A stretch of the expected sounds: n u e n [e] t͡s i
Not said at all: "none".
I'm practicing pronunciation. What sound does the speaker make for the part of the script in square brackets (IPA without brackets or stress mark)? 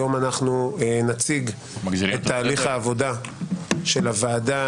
a